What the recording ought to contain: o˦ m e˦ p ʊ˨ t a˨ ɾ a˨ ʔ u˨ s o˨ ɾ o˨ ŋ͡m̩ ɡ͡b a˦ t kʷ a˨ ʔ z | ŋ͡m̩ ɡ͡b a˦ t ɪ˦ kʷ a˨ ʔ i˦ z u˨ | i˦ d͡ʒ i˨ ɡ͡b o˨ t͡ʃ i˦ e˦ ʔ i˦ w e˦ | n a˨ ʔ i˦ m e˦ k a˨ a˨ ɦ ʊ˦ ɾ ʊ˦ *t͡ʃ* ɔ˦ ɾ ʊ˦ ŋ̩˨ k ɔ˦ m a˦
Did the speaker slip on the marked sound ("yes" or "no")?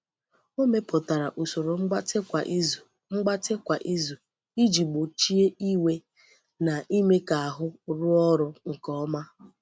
yes